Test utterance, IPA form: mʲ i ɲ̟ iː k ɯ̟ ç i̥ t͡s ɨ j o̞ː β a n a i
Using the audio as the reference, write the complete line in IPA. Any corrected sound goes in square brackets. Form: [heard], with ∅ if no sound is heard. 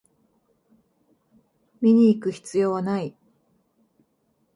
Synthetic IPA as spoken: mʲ i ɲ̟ iː k ɯ̟ ç i̥ t͡s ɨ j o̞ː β a n a i